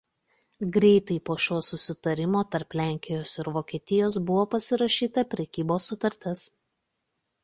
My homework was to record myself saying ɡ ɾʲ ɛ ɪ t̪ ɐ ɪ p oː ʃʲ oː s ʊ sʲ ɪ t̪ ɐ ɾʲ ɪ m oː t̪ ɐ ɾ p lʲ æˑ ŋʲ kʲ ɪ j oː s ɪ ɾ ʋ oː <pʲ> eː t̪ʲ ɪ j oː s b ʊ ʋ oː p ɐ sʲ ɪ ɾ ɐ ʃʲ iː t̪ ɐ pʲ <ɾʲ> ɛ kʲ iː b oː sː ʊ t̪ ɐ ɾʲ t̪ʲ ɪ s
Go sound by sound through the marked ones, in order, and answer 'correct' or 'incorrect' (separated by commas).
incorrect, correct